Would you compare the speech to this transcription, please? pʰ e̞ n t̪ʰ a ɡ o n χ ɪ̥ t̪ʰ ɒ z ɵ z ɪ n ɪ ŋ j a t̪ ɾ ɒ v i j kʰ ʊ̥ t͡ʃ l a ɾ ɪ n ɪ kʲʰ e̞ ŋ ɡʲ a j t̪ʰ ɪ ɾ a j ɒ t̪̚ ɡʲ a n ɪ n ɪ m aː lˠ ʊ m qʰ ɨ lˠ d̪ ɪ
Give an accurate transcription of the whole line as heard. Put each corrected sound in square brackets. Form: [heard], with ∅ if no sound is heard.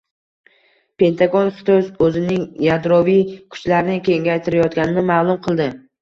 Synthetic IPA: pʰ e̞ n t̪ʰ a ɡ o n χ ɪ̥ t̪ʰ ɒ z ɵ z ɪ n ɪ ŋ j a [d̪] ɾ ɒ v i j kʰ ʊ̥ t͡ʃ l a ɾ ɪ n ɪ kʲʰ e̞ ŋ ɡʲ a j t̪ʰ ɪ ɾ a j ɒ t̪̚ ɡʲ a n ɪ n ɪ m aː lˠ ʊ m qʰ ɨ lˠ d̪ ɪ